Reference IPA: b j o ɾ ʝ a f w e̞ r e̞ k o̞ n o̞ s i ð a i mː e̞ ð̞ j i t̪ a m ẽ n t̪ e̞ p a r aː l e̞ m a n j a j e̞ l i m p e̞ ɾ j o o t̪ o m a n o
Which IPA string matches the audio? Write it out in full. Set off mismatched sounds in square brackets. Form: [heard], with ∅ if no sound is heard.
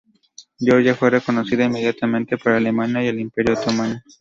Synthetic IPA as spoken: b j o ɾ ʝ a f w e̞ r e̞ k o̞ n o̞ s i ð a i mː e̞ ð̞ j [a] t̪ a m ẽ n t̪ e̞ p a [ɾ] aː l e̞ m a n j a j e̞ l i m p e̞ ɾ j o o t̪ o m a n o